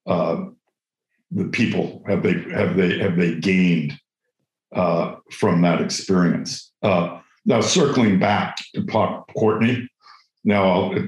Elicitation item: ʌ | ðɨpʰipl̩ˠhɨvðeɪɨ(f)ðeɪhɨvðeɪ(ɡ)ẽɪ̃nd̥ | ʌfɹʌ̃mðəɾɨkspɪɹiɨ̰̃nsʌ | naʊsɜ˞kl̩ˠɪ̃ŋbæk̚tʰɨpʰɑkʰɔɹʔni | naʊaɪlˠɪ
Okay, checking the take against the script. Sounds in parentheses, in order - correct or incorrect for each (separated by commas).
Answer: incorrect, correct